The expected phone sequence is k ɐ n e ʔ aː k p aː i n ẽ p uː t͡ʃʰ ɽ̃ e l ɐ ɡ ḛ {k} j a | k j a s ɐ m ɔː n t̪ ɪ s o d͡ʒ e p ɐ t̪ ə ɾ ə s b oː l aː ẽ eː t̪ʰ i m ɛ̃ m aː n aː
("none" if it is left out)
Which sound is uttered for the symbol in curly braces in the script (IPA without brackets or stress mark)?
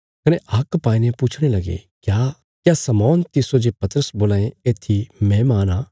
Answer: k